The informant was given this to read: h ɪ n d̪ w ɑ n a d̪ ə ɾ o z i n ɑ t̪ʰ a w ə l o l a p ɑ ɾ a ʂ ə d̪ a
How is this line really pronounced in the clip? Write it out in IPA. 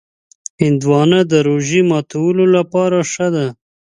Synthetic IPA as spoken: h ɪ n d̪ w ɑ n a d̪ ə ɾ o ʒ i m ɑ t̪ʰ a w ə l o l a p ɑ ɾ a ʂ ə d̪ a